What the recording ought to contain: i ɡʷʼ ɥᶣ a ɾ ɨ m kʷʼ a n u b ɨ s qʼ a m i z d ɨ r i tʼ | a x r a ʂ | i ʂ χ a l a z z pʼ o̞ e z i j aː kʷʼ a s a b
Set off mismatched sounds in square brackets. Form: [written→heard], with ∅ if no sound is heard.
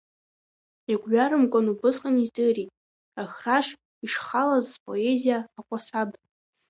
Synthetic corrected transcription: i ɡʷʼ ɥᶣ a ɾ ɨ m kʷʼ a n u b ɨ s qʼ a [m→n] i z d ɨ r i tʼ | a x r a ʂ | i ʂ χ a l a z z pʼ o̞ e z i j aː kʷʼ a s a b